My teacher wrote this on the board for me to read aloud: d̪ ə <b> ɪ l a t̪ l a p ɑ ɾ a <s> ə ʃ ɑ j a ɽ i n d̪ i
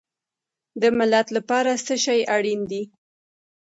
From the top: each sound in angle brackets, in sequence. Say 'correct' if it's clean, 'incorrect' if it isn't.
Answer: incorrect, correct

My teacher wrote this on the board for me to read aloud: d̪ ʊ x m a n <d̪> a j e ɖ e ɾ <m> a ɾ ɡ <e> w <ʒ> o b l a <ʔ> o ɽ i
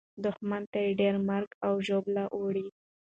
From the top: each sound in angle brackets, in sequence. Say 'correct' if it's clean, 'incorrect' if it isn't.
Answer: incorrect, correct, incorrect, correct, correct

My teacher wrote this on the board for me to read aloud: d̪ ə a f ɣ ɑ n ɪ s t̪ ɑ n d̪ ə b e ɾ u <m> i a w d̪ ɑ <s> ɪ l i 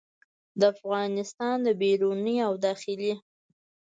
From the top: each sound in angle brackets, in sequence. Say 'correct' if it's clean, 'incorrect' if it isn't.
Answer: incorrect, incorrect

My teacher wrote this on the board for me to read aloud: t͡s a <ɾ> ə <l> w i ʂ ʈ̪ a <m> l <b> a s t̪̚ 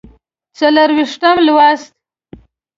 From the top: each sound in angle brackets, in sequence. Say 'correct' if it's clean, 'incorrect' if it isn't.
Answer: incorrect, incorrect, correct, incorrect

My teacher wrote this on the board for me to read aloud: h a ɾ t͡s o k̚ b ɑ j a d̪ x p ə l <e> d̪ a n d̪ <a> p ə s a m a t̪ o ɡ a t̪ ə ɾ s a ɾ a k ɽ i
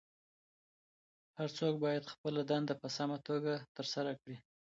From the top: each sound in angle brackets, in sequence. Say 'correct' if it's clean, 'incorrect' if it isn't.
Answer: incorrect, correct

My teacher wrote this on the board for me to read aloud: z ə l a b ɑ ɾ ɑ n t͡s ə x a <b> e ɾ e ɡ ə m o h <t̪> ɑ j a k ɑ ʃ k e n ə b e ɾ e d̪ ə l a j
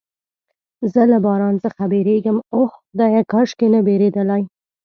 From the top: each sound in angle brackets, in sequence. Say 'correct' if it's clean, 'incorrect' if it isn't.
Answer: correct, incorrect

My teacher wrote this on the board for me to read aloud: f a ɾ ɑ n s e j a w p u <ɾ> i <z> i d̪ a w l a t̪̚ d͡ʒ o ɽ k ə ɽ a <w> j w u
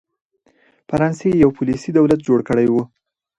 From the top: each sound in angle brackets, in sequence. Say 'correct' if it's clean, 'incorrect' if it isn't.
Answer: incorrect, incorrect, incorrect

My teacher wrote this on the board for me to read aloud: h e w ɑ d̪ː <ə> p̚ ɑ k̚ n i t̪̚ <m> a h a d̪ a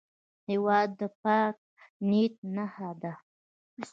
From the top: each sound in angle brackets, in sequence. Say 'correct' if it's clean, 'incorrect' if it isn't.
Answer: correct, incorrect

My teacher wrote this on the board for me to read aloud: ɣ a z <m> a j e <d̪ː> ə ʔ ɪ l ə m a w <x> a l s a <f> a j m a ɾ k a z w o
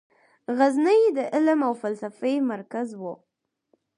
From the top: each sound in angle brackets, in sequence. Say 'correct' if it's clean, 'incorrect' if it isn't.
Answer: incorrect, incorrect, incorrect, correct

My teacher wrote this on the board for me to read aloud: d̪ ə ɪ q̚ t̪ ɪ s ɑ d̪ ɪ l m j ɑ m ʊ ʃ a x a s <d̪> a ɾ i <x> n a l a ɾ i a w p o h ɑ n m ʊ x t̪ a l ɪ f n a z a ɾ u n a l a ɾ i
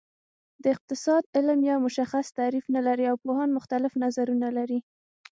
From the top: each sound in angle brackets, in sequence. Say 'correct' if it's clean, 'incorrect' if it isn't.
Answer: incorrect, incorrect

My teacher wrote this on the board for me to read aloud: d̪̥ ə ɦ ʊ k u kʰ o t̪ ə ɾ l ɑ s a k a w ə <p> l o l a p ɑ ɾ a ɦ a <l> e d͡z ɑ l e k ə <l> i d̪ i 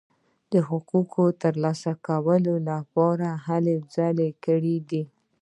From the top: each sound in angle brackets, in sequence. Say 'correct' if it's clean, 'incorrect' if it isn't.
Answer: incorrect, correct, incorrect

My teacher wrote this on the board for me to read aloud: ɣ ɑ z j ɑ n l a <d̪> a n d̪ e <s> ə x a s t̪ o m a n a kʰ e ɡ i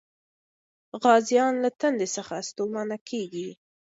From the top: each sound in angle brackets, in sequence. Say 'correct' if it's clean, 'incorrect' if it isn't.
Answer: incorrect, correct

